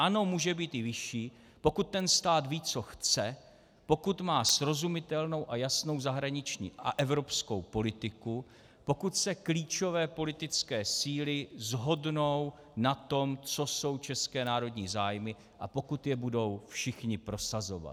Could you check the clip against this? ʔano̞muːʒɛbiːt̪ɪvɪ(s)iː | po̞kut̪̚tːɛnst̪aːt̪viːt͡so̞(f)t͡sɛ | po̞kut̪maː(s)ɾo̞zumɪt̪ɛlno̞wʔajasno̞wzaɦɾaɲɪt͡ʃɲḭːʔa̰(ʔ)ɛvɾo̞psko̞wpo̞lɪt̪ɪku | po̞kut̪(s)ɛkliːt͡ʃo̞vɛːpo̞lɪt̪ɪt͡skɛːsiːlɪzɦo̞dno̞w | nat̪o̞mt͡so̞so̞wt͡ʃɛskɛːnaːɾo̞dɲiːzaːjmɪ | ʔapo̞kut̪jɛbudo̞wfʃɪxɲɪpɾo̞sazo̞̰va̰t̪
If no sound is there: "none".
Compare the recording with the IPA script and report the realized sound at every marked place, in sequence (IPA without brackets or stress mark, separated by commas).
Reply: ʃ, x, s, ʔ, s